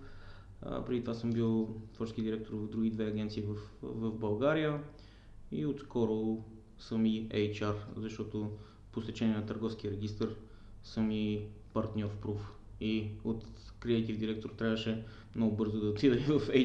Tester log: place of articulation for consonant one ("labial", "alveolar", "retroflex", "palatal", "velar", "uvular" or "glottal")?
labial